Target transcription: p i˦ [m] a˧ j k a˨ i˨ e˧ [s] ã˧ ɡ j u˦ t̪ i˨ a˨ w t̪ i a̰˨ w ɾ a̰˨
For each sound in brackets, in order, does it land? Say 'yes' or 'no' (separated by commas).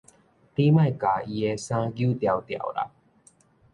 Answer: yes, yes